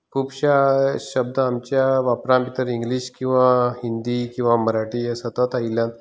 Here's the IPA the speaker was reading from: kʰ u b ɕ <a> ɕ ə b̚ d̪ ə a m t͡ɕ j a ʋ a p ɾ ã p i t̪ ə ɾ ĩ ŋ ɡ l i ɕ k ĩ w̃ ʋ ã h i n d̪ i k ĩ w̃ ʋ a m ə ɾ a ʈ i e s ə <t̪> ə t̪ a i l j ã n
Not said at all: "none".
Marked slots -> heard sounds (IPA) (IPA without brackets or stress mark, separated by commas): a, t̪